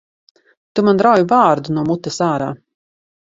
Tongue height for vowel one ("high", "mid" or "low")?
high